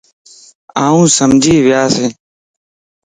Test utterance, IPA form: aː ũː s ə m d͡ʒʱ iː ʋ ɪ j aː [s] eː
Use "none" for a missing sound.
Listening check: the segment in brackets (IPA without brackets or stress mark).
s